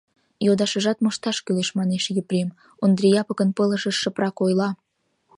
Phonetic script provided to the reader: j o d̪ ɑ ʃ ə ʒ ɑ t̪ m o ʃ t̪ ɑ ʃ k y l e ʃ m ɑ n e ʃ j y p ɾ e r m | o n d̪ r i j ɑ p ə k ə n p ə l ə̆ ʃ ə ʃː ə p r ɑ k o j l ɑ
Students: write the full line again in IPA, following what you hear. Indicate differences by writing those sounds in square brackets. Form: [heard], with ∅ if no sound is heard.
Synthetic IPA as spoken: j o d̪ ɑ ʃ ə ʒ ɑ t̪ m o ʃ t̪ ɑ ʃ k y l e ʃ m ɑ n e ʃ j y p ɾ e [∅] m | o n d̪ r i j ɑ p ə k ə n p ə l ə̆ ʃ ə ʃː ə p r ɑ k o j l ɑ

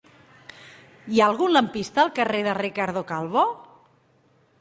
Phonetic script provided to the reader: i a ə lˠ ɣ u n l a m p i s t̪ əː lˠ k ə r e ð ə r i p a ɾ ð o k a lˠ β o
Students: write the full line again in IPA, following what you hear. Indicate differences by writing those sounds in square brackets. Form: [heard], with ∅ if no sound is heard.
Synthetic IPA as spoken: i a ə lˠ ɣ u n l [ə] m p i s t̪ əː lˠ k ə r e ð ə r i [k] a ɾ ð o k a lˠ β o

